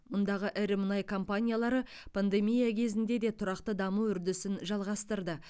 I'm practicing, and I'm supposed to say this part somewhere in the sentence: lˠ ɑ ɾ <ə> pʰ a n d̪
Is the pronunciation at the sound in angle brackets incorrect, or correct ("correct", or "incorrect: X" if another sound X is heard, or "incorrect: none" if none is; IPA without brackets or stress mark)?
correct